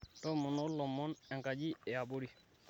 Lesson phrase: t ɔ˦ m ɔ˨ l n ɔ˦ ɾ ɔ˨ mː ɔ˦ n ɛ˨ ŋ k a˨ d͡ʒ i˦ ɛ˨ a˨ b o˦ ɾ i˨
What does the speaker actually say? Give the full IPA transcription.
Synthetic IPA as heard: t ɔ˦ m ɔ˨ n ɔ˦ l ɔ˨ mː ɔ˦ n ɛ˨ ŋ k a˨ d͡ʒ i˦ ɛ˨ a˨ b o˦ ɾ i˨